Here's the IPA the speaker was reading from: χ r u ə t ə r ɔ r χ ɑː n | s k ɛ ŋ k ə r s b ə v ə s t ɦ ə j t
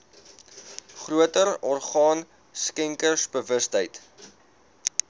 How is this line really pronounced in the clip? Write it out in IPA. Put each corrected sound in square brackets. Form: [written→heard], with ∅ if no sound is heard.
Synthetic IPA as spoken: χ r u ə t ə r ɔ r χ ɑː n | s k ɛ ŋ k ə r s b ə v ə s t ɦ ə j t